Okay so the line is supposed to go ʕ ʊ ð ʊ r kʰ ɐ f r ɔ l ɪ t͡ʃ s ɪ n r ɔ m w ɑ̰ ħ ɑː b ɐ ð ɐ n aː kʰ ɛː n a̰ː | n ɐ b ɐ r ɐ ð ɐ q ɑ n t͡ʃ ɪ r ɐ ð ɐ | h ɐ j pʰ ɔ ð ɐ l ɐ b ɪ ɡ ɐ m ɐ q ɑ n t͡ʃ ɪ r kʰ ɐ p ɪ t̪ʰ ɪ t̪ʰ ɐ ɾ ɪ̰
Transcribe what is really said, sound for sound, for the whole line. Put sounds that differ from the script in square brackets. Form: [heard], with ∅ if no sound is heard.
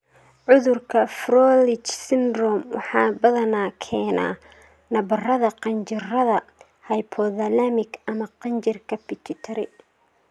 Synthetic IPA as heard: ʕ ʊ ð ʊ r kʰ ɐ f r ɔ l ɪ t͡ʃ s ɪ n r ɔ m w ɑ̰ ħ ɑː b ɐ ð ɐ n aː kʰ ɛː n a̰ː | n ɐ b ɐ r ɐ ð ɐ q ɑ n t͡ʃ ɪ r ɐ ð ɐ | h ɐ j pʰ ɔ ð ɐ l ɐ [m] ɪ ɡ ɐ m ɐ q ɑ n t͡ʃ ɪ r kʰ ɐ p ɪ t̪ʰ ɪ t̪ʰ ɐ ɾ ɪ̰